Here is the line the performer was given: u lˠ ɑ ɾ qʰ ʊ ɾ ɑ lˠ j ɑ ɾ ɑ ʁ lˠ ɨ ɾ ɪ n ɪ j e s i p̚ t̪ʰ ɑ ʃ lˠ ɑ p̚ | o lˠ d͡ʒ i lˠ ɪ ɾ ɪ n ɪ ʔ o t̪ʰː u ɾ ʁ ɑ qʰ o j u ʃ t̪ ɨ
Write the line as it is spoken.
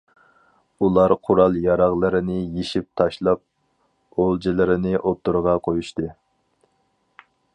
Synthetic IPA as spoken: u lˠ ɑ ɾ qʰ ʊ ɾ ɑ lˠ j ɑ ɾ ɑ ʁ lˠ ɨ ɾ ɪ n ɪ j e ʃ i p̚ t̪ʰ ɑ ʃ lˠ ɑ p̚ | o lˠ d͡ʒ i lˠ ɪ ɾ ɪ n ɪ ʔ o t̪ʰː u ɾ ʁ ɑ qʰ o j u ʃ t̪ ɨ

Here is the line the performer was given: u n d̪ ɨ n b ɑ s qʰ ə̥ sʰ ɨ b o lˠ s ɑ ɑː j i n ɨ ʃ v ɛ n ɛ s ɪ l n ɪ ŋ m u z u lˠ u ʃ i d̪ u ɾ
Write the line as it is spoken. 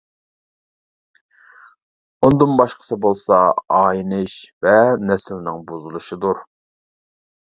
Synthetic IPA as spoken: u n d̪ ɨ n b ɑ ʃ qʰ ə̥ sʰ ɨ b o lˠ s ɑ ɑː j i n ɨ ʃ v ɛ n ɛ s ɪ l n ɪ ŋ b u z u lˠ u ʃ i d̪ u ɾ

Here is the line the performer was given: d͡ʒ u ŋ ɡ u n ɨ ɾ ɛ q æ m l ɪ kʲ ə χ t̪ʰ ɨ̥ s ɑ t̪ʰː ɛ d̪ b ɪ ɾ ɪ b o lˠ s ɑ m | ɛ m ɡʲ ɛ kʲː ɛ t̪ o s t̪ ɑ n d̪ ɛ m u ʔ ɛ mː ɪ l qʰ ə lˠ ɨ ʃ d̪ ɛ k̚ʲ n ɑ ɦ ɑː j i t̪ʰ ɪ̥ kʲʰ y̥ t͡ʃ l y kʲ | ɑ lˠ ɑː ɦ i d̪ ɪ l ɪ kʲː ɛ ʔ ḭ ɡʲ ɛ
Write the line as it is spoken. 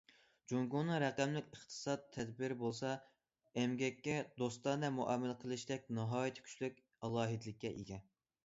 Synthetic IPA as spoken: d͡ʒ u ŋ ɡ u n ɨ ɾ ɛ q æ m l ɪ kʲ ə χ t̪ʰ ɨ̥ s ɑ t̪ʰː ɛ d̪ b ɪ ɾ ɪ b o lˠ s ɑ | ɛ m ɡʲ ɛ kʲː ɛ d̪ o s t̪ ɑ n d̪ ɛ m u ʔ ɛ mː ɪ l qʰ ə lˠ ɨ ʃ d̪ ɛ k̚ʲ n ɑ ɦ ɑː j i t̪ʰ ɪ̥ kʲʰ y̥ t͡ʃ l y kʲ | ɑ lˠ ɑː ɦ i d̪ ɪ l ɪ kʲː ɛ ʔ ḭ ɡʲ ɛ

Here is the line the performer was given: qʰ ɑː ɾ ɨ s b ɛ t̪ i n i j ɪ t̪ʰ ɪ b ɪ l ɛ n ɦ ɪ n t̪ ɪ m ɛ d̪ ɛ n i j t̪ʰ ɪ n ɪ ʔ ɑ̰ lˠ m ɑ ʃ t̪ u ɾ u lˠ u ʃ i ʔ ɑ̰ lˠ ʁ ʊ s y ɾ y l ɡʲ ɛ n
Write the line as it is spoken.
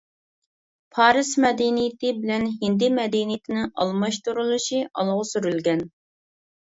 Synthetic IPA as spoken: pʰ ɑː ɾ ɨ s m ɛ d̪ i n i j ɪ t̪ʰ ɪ b ɪ l ɛ n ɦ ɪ n d̪ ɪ m ɛ d̪ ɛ n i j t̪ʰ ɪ n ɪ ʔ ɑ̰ lˠ m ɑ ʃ t̪ u ɾ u lˠ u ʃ i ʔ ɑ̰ lˠ ʁ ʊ s y ɾ y l ɡʲ ɛ n

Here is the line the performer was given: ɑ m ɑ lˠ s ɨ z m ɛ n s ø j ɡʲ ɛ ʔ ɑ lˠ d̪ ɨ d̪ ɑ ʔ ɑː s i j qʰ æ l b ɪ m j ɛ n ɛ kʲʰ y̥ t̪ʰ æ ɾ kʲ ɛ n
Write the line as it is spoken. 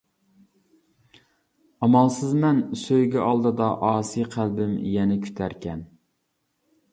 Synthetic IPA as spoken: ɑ m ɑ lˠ s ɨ z m ɛ n s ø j ɡʲ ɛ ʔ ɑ lˠ d̪ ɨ d̪ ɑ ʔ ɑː s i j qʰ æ l b ɪ m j ɛ n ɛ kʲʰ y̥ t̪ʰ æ ɾ kʲ ɛ n

